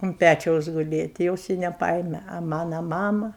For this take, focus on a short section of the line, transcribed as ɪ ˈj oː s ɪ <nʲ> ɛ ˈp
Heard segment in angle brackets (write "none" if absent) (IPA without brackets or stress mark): nʲ